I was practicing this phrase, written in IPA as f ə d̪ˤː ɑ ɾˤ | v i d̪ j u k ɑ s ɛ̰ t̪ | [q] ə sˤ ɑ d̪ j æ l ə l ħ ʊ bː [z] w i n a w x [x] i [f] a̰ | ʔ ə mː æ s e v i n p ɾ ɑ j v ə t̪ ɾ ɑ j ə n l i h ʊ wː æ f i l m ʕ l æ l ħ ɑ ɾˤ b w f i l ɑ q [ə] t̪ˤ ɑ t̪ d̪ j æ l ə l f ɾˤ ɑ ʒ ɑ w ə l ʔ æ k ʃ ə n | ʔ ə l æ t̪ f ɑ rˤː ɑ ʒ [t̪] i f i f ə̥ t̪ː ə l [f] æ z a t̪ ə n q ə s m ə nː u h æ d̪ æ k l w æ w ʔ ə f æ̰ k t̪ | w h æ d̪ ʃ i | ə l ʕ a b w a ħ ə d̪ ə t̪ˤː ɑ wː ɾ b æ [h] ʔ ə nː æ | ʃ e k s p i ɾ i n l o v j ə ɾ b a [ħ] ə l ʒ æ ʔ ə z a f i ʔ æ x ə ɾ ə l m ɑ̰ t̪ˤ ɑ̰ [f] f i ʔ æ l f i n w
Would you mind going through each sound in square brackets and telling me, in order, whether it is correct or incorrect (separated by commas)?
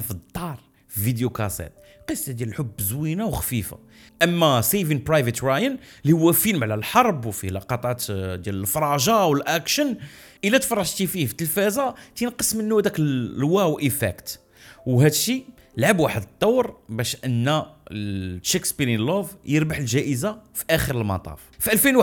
correct, correct, incorrect, correct, incorrect, correct, correct, incorrect, correct, correct